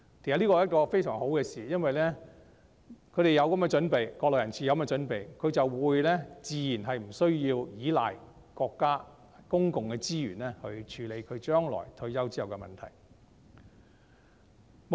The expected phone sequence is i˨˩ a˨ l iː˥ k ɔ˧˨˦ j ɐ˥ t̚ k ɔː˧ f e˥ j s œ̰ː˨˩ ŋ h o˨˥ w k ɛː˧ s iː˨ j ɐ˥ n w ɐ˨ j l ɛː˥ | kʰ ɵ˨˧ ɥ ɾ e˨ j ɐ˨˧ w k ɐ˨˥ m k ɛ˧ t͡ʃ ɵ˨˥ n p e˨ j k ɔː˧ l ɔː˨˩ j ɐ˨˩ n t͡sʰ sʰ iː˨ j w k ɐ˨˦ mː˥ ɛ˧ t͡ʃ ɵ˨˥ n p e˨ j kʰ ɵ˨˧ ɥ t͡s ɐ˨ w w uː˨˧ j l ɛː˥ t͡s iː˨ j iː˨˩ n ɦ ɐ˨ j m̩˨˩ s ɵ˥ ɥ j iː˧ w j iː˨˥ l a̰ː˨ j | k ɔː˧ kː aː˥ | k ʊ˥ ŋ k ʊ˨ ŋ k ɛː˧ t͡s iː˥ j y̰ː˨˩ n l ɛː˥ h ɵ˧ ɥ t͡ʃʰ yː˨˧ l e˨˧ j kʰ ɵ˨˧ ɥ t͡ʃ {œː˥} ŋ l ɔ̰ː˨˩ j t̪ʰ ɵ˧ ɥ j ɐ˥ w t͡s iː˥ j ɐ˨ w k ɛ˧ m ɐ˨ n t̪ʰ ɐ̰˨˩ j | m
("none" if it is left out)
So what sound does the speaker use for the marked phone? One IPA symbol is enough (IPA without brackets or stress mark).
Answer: œː˥